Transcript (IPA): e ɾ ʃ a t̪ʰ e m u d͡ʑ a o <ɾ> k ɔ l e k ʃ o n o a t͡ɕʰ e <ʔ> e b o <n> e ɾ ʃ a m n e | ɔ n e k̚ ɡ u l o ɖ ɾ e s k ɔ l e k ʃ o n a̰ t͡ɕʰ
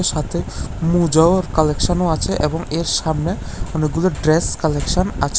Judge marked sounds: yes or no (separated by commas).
yes, yes, no